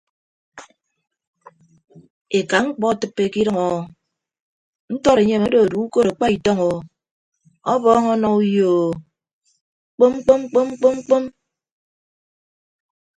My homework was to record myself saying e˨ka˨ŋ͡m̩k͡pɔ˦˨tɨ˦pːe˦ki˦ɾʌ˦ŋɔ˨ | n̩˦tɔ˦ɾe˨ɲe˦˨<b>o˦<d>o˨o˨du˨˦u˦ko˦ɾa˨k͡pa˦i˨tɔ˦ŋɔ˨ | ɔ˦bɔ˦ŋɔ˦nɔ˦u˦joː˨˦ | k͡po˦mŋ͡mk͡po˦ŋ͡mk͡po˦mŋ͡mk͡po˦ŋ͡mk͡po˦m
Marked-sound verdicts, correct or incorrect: incorrect: m, correct

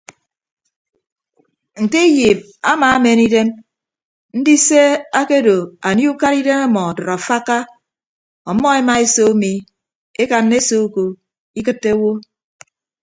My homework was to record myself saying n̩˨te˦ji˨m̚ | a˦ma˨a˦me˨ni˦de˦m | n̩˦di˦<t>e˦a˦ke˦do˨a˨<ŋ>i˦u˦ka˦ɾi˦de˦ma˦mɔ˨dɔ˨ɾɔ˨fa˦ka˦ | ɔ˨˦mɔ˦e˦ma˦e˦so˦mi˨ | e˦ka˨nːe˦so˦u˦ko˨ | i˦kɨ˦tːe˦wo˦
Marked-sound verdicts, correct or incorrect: incorrect: s, incorrect: n

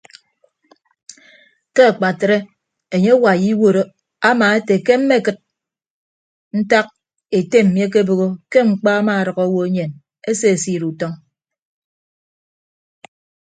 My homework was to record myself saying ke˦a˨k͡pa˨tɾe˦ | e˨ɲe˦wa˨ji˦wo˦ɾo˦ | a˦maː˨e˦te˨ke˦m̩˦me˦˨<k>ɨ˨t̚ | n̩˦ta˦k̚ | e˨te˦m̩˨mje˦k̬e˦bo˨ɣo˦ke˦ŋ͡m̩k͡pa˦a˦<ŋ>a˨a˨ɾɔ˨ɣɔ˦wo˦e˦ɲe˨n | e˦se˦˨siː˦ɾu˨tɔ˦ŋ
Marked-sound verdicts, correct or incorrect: correct, incorrect: m

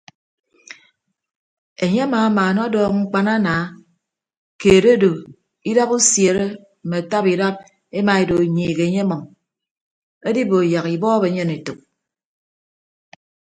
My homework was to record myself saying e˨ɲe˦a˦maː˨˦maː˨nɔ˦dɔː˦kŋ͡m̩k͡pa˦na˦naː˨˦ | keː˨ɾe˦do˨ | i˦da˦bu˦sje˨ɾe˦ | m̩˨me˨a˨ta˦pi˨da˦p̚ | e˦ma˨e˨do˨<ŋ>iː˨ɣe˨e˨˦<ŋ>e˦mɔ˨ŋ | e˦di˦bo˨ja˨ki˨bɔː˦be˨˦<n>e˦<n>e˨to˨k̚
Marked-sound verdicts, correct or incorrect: incorrect: ɲ, incorrect: ɲ, incorrect: ɲ, correct

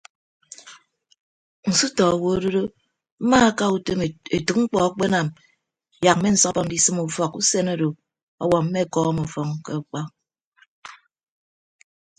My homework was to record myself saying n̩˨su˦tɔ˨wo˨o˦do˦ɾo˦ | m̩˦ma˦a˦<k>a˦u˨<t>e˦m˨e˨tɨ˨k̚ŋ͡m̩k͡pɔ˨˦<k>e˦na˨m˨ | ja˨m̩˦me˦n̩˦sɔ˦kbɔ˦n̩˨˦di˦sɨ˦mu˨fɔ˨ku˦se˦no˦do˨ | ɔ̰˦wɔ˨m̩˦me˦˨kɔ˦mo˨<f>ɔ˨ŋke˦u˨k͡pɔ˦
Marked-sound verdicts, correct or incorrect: correct, correct, incorrect: k͡p, correct

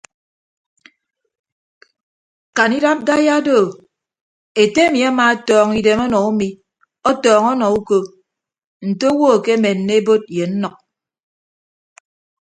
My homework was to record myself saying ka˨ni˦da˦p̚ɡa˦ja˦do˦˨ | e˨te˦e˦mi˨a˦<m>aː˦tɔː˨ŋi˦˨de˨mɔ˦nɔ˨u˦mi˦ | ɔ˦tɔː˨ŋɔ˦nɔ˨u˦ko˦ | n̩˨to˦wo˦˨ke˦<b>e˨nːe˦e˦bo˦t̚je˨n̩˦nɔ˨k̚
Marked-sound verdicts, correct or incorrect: correct, incorrect: m

